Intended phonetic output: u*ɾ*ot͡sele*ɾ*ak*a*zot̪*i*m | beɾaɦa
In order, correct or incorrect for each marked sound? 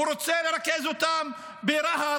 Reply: correct, correct, incorrect, incorrect

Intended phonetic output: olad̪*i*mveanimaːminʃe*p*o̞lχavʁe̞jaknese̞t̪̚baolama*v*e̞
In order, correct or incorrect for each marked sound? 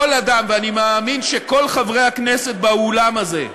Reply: incorrect, incorrect, incorrect

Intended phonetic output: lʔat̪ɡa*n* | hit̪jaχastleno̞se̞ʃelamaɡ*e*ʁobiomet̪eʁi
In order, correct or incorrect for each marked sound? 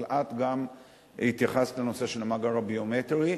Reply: incorrect, incorrect

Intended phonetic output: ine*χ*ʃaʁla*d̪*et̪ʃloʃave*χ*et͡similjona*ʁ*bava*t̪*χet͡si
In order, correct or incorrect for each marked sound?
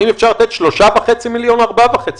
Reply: incorrect, incorrect, correct, correct, incorrect

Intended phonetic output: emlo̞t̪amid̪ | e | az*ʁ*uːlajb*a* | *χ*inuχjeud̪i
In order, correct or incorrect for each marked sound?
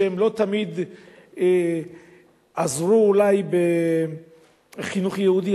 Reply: correct, incorrect, correct

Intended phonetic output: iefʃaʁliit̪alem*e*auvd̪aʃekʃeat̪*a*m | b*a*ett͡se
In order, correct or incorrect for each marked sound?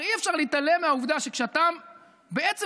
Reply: correct, correct, incorrect

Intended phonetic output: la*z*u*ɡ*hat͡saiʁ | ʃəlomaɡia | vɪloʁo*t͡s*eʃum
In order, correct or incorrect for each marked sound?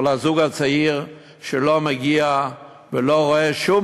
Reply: correct, correct, incorrect

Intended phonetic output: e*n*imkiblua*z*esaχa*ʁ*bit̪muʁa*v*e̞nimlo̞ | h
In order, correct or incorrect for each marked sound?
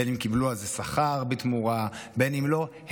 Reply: correct, correct, correct, incorrect

